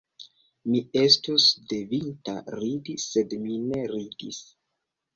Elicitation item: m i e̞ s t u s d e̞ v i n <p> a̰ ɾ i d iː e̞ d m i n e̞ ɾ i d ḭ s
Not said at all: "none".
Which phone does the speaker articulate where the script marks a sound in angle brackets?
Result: t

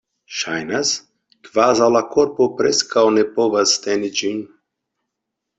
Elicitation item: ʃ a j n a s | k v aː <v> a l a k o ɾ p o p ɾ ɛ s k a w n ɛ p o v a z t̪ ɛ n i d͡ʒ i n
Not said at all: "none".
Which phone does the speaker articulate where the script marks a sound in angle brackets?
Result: z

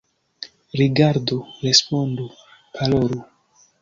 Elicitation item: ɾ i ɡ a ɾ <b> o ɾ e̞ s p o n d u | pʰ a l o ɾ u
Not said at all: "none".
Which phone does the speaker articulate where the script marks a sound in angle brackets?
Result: d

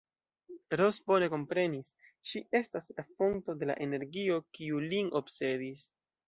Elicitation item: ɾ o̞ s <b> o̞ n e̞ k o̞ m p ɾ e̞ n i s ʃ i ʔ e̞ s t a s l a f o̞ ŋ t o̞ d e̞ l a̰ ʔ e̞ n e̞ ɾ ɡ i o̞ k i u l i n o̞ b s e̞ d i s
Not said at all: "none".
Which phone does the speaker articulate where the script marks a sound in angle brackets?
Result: b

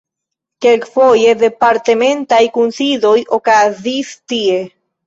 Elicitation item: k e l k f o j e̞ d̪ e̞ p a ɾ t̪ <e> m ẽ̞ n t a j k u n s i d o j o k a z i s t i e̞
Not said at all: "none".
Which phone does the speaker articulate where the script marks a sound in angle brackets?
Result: e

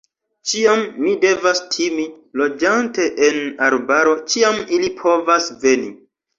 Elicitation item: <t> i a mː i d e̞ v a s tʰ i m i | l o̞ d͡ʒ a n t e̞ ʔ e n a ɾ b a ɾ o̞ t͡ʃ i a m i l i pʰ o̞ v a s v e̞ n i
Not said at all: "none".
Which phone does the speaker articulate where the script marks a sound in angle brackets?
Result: t͡ʃ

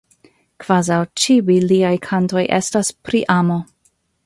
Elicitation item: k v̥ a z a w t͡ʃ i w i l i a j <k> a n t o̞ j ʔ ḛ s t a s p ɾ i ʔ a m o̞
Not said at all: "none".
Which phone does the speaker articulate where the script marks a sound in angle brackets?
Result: kʰ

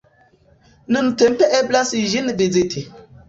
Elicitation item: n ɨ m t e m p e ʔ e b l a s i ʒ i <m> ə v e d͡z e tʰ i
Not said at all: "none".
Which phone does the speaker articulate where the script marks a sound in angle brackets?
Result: n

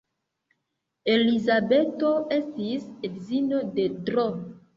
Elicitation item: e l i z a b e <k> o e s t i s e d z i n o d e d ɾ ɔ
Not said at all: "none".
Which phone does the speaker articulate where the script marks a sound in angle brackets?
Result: t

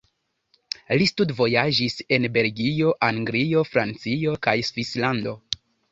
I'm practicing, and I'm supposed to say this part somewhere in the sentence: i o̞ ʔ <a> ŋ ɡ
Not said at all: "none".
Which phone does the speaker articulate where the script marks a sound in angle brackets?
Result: a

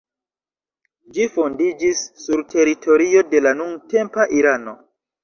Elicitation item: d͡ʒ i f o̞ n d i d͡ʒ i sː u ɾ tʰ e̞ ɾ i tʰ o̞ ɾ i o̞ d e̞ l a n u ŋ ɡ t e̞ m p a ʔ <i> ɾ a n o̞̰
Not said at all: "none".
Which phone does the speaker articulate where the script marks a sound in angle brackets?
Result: i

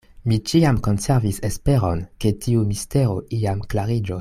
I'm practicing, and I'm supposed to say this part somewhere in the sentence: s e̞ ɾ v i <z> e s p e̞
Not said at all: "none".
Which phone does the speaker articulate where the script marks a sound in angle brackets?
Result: s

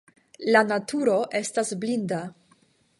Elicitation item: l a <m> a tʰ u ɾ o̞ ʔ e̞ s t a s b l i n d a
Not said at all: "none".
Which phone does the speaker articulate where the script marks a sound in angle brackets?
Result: n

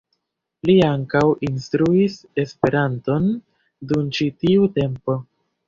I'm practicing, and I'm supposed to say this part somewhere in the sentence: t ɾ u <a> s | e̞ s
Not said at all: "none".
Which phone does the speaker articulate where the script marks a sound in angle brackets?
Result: i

